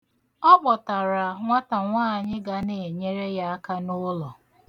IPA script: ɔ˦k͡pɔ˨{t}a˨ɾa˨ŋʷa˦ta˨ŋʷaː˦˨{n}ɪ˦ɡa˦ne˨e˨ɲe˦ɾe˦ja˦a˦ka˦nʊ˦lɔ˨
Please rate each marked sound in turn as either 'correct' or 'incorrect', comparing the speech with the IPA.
correct, incorrect

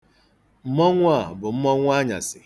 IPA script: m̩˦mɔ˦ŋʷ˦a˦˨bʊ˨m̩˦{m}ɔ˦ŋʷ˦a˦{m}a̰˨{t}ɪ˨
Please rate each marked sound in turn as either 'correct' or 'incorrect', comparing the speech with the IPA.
correct, incorrect, incorrect

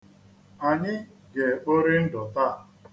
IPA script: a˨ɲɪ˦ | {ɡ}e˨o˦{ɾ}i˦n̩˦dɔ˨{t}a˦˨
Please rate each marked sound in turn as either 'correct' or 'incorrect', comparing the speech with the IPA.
correct, correct, correct

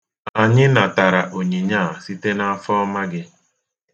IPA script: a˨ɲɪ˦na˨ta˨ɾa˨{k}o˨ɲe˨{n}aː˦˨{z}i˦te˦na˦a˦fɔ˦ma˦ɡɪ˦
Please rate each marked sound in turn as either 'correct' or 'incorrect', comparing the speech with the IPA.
incorrect, incorrect, incorrect

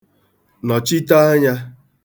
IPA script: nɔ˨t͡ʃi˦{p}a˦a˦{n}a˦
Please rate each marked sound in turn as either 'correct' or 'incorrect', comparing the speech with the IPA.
incorrect, incorrect

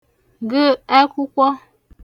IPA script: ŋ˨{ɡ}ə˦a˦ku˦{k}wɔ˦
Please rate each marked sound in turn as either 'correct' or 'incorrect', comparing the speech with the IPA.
correct, correct

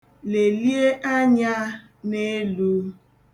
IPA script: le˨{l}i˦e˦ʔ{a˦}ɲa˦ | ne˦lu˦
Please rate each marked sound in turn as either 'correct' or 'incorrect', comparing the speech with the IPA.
correct, correct

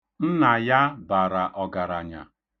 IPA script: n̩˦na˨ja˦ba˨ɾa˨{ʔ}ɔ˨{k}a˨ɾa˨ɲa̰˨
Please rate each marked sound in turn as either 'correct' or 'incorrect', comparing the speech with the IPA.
correct, incorrect

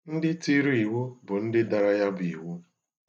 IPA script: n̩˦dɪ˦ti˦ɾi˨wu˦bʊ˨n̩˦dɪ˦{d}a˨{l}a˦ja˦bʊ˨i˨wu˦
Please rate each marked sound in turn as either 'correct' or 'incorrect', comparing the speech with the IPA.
correct, incorrect

